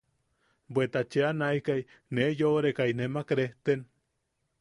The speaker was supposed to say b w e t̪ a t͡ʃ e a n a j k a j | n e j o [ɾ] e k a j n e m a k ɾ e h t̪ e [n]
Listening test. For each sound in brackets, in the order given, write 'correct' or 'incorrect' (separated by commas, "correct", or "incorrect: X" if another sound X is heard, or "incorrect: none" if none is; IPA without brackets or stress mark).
correct, correct